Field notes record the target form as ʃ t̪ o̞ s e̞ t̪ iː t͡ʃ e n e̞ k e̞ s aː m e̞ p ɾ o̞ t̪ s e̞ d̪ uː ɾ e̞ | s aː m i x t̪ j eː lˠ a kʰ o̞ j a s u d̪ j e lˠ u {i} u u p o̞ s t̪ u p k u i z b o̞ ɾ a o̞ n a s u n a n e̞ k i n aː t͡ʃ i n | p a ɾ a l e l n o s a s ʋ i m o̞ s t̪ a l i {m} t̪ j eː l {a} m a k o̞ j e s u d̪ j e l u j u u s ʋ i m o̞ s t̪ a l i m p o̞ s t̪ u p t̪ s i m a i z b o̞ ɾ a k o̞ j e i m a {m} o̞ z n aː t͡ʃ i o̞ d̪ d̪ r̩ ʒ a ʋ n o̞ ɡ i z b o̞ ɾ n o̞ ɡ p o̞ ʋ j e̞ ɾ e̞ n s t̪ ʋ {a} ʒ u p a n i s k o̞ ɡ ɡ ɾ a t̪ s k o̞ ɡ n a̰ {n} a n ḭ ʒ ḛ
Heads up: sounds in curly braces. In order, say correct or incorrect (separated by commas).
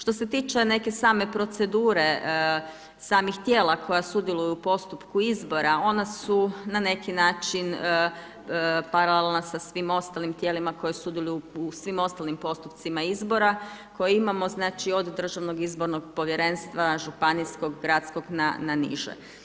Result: incorrect, correct, incorrect, correct, correct, correct